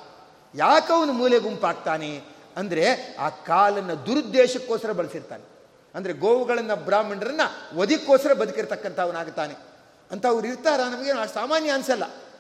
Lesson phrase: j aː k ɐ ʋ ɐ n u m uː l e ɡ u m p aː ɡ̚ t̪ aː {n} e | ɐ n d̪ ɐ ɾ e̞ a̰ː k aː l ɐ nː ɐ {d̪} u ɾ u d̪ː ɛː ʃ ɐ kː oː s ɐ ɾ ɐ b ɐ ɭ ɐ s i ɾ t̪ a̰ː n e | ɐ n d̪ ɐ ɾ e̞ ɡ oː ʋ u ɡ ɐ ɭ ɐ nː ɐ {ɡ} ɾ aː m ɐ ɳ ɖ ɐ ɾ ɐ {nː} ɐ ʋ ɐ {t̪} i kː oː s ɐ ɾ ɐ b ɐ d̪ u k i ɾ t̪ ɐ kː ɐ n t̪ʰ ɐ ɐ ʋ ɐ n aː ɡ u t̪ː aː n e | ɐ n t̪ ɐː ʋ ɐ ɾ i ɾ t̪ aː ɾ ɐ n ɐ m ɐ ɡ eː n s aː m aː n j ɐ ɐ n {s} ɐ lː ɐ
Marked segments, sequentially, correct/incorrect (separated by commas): correct, correct, incorrect, correct, incorrect, correct